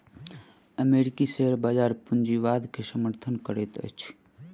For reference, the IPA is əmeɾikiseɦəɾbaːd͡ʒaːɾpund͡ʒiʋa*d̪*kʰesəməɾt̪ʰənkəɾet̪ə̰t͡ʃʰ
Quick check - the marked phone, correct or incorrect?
correct